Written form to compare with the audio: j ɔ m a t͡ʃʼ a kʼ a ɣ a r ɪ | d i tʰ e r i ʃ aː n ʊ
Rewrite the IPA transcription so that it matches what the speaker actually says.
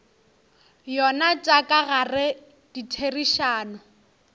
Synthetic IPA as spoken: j ɔ n a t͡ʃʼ a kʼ a ɣ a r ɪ | d i tʰ e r i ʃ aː n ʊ